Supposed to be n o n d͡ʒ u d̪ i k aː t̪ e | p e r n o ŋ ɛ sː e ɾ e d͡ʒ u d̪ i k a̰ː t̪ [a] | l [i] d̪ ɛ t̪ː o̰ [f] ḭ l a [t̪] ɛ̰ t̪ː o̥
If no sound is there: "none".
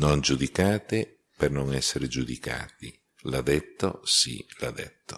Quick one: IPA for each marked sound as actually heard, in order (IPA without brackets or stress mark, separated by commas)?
i, a, s, d̪